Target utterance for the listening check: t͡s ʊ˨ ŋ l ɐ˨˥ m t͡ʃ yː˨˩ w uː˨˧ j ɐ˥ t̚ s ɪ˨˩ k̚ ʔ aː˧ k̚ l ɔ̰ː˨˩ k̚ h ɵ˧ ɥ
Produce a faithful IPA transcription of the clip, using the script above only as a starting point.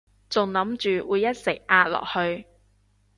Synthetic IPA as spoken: t͡s ʊ˨ ŋ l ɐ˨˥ m t͡ʃ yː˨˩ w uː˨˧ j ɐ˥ t̚ s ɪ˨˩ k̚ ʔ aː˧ t̚ l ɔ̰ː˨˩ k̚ h ɵ˧ ɥ